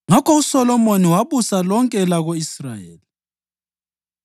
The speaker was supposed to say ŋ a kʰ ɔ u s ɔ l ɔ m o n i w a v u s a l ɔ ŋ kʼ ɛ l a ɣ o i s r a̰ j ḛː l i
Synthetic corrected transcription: ŋ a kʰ ɔ u s ɔ l ɔ m o n i w a β u s a l ɔ ŋ kʼ ɛ l a ɣ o i s r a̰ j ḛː l i